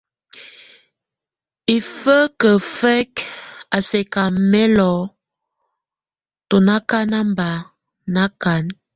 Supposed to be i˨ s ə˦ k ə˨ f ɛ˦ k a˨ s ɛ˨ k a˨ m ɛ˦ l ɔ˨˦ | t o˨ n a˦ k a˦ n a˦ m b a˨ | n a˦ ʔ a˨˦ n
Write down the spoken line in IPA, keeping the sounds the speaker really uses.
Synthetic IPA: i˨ f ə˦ k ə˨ f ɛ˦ k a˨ s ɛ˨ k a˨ m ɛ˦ l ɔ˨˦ | t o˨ n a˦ k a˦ n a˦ m b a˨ | n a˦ k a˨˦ n